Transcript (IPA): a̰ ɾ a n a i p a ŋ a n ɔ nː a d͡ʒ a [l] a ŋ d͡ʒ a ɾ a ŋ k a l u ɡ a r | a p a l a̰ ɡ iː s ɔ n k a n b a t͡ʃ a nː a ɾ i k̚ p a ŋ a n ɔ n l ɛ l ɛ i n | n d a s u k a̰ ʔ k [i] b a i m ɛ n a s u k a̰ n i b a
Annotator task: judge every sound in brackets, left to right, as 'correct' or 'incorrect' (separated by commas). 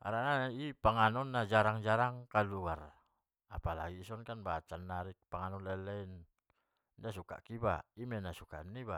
incorrect, correct